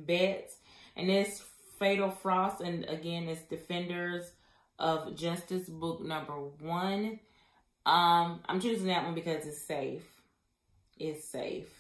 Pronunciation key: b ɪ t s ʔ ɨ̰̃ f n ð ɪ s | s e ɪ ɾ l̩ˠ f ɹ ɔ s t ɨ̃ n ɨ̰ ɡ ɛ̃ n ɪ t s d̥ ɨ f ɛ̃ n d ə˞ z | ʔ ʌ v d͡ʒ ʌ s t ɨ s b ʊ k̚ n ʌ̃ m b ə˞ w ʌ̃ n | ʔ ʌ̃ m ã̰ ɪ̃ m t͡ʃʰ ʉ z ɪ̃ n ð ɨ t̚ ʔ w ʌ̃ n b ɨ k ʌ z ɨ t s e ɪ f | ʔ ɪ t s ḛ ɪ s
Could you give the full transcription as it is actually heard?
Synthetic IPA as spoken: b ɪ t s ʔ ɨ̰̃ n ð ɪ s | f e ɪ ɾ l̩ˠ f ɹ ɔ s t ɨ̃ n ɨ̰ ɡ ɛ̃ n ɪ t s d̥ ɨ f ɛ̃ n d ə˞ z | ʔ ʌ v d͡ʒ ʌ s t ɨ s b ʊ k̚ n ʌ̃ m b ə˞ w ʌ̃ n | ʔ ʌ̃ m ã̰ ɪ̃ m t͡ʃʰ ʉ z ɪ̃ ŋ ð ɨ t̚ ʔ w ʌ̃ n b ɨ k ʌ z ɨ t s e ɪ f | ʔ ɪ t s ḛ ɪ f